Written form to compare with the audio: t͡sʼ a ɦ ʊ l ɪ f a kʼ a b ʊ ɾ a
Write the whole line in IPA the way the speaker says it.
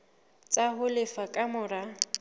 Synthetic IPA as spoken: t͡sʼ a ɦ ʊ l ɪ f a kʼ a m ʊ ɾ a